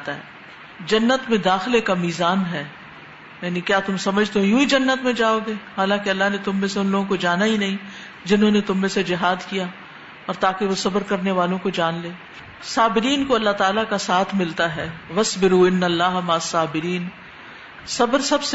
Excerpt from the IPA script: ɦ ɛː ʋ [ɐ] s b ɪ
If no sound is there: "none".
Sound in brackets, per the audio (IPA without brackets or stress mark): ɐ